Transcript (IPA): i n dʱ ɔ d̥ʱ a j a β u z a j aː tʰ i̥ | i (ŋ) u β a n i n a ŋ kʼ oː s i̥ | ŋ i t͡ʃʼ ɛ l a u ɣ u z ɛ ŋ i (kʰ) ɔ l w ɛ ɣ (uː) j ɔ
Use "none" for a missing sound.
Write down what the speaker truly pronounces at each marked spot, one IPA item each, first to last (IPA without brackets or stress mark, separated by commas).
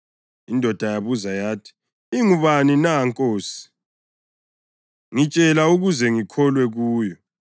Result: ŋ, kʰ, uː